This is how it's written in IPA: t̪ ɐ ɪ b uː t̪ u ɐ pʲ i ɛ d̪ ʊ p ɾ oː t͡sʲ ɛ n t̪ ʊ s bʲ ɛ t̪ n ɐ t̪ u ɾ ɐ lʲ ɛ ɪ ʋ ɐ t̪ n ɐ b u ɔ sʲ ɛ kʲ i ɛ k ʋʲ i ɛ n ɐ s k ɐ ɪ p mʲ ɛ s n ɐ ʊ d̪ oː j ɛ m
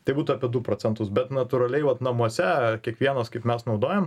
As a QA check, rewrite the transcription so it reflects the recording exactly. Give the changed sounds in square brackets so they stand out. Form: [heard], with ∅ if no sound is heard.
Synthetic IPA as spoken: t̪ ɐ ɪ b uː t̪ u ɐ pʲ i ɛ d̪ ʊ p ɾ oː t͡sʲ ɛ n t̪ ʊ s bʲ ɛ t̪ n ɐ t̪ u ɾ ɐ lʲ ɛ ɪ ʋ ɐ t̪ n ɐ [m] u ɔ sʲ ɛ kʲ i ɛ k ʋʲ i ɛ n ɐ s k ɐ ɪ p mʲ ɛ s n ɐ ʊ d̪ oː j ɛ m